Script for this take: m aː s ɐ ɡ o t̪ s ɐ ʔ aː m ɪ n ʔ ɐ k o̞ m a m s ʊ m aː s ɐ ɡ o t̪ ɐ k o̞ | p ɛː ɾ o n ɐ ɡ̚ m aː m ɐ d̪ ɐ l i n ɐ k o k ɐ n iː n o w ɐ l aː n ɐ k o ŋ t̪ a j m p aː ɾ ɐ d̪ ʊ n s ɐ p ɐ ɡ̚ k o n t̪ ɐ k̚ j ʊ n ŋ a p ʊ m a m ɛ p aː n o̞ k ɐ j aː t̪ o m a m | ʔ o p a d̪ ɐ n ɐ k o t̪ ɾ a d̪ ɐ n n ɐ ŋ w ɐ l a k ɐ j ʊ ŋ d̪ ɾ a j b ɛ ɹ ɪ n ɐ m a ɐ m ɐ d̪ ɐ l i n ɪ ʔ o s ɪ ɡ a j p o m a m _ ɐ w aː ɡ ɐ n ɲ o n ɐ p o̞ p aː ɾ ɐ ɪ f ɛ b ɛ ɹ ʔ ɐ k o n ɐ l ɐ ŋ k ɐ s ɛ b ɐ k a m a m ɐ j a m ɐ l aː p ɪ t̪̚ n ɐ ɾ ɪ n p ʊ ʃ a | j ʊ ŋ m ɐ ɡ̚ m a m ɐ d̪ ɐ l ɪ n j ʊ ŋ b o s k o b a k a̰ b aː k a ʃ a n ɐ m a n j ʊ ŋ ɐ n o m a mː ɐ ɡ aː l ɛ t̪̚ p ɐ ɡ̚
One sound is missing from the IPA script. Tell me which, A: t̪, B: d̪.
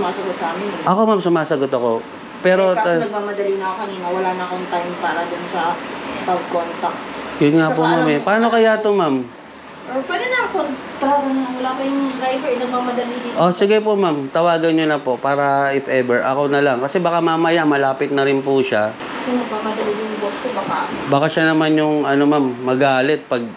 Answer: A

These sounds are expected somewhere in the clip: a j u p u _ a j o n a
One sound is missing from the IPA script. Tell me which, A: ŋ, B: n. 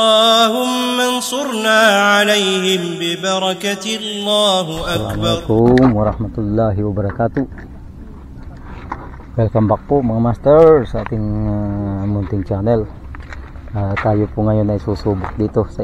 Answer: A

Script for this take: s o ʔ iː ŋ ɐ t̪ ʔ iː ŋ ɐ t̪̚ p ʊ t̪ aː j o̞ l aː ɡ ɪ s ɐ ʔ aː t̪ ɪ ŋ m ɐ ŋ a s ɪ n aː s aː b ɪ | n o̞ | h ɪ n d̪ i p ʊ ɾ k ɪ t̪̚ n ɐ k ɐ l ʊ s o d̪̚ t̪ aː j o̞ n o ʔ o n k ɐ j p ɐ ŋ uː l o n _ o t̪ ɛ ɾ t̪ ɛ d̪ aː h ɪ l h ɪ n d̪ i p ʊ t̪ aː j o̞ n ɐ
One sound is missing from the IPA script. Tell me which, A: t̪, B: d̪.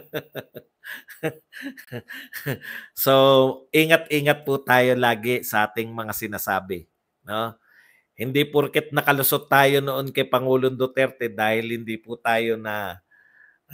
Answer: B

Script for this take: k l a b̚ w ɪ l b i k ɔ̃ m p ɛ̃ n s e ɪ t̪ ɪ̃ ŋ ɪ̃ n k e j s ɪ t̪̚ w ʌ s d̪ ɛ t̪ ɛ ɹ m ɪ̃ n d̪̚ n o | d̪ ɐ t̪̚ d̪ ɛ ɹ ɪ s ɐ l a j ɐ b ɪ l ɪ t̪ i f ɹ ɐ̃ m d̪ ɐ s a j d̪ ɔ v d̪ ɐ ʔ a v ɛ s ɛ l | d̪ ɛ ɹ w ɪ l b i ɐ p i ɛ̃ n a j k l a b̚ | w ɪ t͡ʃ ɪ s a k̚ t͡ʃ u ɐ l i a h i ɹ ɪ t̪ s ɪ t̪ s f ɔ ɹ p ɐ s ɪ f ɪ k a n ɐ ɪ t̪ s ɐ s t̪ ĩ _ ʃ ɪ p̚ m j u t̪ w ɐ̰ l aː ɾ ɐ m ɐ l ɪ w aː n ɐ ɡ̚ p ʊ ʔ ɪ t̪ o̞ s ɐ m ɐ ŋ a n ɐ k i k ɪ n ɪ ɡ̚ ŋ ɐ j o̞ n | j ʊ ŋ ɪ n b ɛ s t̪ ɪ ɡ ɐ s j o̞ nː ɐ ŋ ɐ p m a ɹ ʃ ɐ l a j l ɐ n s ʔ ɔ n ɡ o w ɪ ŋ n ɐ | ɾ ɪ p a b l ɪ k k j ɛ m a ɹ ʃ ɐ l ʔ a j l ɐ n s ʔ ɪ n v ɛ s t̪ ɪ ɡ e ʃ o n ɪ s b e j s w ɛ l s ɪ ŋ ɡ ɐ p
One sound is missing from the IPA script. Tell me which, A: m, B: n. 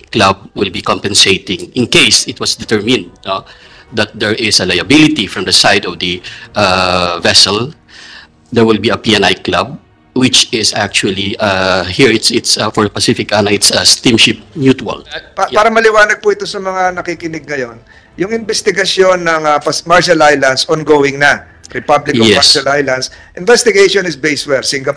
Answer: A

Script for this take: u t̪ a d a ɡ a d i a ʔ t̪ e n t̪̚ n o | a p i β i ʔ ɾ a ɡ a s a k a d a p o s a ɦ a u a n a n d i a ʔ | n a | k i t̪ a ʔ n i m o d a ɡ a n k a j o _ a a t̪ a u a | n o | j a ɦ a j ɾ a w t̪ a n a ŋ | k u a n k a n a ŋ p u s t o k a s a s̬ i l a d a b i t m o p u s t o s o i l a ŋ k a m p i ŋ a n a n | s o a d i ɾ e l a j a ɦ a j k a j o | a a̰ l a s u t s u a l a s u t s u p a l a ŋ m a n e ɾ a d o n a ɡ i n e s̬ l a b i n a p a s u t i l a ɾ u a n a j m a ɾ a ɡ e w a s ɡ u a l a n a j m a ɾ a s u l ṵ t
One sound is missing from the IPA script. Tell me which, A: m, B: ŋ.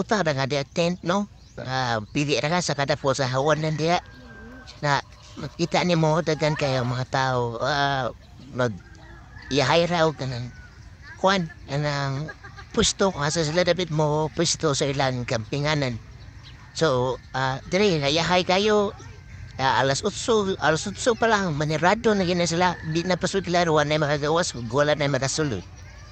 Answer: A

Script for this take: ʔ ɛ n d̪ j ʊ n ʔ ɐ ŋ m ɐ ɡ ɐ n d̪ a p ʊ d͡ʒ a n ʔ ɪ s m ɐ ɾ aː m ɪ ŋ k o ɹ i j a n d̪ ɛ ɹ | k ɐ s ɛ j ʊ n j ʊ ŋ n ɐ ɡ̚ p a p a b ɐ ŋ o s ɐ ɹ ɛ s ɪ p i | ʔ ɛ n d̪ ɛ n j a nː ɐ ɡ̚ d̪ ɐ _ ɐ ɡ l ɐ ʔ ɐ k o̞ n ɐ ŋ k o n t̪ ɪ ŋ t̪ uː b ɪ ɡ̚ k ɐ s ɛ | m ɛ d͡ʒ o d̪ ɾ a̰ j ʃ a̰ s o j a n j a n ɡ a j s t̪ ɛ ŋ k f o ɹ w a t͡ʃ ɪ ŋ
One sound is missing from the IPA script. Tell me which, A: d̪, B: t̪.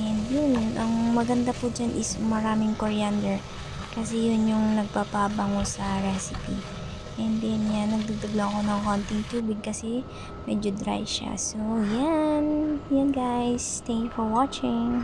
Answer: A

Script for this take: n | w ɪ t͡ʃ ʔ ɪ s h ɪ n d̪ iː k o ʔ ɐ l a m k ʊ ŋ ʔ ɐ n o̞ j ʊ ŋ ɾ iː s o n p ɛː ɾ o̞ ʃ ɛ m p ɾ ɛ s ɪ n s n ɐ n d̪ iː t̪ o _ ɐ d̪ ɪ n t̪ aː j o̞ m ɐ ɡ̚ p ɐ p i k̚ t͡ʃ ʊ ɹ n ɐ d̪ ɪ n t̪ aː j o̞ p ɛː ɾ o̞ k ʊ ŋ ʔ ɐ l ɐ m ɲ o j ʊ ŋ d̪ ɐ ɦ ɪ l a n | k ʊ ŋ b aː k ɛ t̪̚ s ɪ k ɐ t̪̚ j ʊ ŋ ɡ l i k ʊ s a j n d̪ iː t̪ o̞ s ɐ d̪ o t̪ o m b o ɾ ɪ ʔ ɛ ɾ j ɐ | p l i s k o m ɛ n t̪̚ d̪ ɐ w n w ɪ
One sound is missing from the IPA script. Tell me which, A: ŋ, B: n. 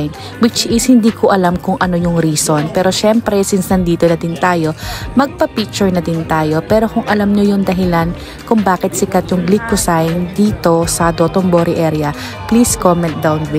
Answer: B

